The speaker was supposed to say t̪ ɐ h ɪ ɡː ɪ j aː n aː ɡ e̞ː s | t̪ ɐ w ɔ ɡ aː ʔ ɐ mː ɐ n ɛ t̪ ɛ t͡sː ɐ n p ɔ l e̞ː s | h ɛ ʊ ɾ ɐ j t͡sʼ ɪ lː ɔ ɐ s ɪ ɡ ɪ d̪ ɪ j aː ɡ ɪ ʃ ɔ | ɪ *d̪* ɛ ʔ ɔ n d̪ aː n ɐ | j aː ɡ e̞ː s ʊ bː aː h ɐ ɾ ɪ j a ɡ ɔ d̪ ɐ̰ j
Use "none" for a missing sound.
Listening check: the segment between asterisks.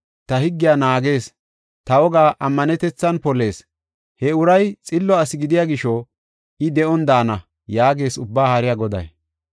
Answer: d̪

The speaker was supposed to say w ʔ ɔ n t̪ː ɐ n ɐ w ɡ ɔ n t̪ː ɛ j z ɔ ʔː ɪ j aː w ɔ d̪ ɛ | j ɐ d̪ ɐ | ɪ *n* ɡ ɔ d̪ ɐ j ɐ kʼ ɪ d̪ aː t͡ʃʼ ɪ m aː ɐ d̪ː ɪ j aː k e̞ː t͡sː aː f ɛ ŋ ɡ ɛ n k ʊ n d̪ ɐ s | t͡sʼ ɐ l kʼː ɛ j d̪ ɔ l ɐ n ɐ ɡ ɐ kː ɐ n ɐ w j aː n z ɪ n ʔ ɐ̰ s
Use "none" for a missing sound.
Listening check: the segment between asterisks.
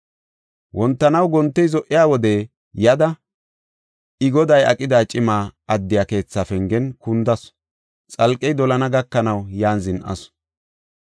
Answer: none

